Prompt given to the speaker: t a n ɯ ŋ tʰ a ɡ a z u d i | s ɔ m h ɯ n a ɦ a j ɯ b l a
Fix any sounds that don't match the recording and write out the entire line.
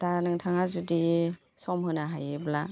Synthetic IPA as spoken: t a n ɯ ŋ tʰ a ŋ a z u d i | s ɔ m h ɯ n a ɦ a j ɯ b l a